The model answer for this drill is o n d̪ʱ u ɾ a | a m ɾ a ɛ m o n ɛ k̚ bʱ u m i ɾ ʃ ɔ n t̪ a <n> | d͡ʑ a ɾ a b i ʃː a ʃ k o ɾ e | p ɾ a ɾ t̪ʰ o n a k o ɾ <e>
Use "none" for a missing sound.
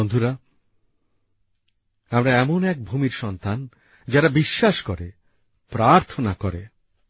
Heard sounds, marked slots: n, e

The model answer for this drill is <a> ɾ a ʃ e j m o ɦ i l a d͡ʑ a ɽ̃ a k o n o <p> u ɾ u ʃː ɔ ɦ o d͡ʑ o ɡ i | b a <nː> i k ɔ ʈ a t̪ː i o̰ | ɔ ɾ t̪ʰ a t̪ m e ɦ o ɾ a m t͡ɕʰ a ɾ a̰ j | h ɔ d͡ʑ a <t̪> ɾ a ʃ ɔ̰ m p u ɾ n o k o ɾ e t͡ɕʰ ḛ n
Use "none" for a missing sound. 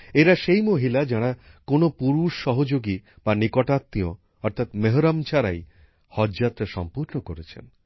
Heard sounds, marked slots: e, p, n, t̪

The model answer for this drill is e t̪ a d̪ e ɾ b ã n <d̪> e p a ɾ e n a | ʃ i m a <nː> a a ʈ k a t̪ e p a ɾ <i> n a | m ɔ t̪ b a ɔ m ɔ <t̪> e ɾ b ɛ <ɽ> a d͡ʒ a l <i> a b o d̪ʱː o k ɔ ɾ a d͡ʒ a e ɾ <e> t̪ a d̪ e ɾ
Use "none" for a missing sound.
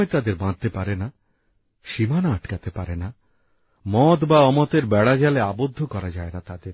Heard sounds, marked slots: t̪, n, e, t̪, ɽ, e, a

